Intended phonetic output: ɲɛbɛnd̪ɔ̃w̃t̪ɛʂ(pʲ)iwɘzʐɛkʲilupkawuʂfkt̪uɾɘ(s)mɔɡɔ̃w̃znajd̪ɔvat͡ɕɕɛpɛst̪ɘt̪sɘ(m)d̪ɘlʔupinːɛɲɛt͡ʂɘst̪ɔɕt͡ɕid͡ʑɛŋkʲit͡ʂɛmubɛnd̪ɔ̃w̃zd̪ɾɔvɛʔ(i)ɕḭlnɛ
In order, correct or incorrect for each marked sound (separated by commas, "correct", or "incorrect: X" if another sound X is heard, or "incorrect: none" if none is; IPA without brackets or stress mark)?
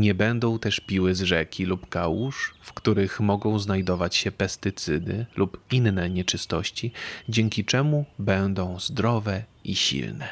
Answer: correct, incorrect: x, incorrect: none, correct